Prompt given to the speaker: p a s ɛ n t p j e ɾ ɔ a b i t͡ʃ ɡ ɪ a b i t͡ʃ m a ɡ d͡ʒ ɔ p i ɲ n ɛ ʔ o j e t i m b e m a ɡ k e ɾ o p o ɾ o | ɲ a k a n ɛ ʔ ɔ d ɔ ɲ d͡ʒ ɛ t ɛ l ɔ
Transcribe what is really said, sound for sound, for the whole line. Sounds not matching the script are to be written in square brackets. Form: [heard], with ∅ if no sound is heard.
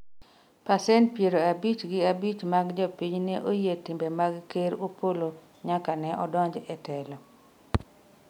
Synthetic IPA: p a s ɛ n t p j e ɾ [o] a b i t͡ʃ ɡ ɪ a b i t͡ʃ m a ɡ d͡ʒ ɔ p i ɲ n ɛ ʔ o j e t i m b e m a ɡ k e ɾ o p o [l] o | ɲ a k a n ɛ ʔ ɔ d ɔ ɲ d͡ʒ ɛ t ɛ l ɔ